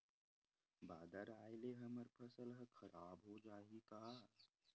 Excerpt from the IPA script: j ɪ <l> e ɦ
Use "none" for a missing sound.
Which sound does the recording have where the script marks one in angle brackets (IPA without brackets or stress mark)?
l